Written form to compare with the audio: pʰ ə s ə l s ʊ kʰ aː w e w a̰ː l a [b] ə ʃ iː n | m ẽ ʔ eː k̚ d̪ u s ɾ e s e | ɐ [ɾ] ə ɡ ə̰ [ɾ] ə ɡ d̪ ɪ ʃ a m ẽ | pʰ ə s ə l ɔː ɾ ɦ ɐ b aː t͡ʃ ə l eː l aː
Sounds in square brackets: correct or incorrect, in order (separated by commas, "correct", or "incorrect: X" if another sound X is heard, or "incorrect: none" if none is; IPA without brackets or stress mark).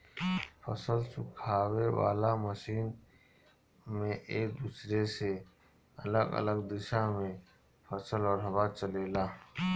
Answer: incorrect: m, incorrect: l, incorrect: l